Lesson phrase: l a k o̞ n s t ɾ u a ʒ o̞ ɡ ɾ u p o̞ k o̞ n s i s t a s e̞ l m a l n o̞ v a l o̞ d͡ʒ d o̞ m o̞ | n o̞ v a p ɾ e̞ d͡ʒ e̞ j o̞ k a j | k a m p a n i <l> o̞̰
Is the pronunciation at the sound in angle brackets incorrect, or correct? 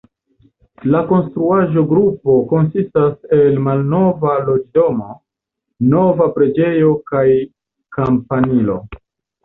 correct